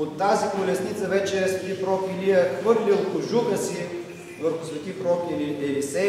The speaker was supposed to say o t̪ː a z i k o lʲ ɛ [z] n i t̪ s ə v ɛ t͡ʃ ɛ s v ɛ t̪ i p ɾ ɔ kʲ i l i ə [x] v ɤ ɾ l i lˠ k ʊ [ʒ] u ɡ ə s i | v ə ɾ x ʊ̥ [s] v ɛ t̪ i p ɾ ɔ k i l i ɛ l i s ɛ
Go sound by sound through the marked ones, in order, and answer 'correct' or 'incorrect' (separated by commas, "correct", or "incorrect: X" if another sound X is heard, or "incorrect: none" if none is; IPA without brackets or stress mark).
incorrect: s, correct, correct, correct